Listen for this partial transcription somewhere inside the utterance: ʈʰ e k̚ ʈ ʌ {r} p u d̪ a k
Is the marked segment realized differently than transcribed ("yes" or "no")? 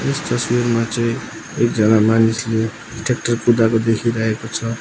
no